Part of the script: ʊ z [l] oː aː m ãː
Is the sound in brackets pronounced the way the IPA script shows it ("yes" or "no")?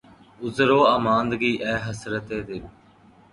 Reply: no